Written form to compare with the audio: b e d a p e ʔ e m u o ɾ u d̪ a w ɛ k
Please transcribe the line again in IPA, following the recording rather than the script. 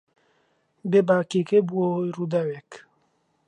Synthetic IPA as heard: b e b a k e k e b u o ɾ u d̪ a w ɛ k